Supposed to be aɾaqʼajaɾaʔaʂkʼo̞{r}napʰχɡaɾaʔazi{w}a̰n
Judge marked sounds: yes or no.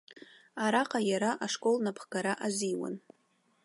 no, yes

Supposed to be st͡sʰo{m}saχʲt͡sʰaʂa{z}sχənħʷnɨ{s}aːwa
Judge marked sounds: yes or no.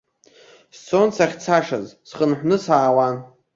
no, yes, yes

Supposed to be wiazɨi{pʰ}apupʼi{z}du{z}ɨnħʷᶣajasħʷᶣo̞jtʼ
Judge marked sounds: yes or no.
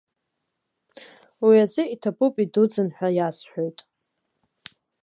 no, no, no

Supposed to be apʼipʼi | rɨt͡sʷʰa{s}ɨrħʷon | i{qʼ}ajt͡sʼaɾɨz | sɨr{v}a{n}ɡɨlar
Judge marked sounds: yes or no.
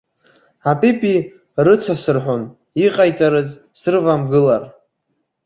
yes, yes, yes, no

